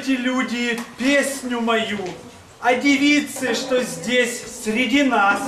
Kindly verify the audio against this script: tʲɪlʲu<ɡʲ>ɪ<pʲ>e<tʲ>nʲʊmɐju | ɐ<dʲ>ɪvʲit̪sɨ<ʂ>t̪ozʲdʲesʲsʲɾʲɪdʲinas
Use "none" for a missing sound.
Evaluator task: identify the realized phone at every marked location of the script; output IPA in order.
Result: dʲ, pʲ, sʲ, dʲ, ʂ

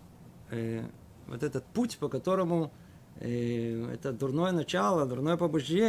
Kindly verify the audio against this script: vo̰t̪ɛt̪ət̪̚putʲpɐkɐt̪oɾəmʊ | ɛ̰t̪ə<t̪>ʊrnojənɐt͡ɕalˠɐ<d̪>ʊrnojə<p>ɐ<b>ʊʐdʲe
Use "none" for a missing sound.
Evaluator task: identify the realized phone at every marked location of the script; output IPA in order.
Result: d̪, d̪, p, b

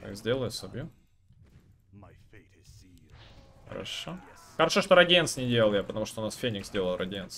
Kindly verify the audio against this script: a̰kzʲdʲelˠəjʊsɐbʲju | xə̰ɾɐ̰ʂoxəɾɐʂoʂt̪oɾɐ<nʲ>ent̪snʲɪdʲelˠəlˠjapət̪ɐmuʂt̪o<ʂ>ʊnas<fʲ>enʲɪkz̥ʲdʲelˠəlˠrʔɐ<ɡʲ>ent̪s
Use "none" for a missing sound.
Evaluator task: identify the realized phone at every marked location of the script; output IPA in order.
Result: dʲ, none, fʲ, dʲ

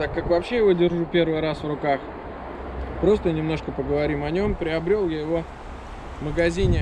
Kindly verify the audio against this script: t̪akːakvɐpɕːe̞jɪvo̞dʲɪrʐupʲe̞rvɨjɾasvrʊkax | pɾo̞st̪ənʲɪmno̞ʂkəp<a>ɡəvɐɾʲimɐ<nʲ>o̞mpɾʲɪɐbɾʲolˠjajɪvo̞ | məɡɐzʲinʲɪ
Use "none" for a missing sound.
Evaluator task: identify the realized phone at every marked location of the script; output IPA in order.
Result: ə, nʲ

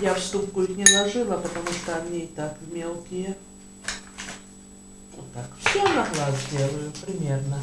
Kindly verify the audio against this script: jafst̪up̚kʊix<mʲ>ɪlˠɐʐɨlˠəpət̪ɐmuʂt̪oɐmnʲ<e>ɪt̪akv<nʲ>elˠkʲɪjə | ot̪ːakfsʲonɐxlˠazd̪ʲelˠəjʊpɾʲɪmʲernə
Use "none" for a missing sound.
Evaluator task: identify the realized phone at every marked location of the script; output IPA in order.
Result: nʲ, e, mʲ

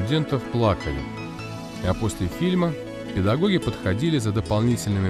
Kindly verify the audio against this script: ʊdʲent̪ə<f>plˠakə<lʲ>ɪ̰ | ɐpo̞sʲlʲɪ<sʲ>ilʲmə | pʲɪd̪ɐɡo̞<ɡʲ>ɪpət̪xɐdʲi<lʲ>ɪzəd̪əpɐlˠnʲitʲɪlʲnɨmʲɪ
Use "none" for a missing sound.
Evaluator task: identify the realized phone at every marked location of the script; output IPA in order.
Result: f, lʲ, fʲ, ɡʲ, lʲ

